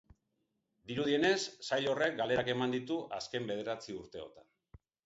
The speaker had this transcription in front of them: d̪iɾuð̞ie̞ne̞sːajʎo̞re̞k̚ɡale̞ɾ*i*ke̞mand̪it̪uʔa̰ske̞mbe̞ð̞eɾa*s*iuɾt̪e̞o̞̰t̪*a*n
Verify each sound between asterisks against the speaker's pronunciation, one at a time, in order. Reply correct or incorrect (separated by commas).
incorrect, incorrect, correct